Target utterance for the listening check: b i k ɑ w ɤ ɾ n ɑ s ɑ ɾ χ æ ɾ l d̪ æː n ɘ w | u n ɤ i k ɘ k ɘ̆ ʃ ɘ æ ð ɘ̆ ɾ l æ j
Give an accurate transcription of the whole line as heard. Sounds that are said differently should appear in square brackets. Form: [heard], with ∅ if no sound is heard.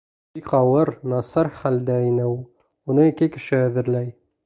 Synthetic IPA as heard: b i k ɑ w ɤ ɾ n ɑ s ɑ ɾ χ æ [∅] l d̪ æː n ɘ w | u n ɤ i k ɘ k ɘ̆ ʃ ɘ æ ð ɘ̆ ɾ l æ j